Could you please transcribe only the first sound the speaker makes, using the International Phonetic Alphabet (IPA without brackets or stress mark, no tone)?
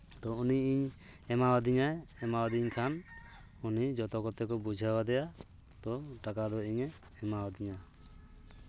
t̪